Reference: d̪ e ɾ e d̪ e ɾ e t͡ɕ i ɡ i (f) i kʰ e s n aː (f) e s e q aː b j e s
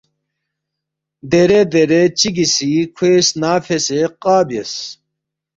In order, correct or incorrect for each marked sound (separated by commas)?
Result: incorrect, correct